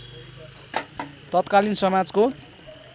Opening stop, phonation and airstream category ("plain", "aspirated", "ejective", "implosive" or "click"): plain